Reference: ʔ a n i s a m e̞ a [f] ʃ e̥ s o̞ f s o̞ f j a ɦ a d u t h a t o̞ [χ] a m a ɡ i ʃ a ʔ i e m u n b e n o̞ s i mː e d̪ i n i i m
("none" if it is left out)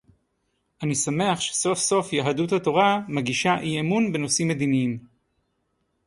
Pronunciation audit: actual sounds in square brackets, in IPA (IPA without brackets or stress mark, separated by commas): χ, ʁ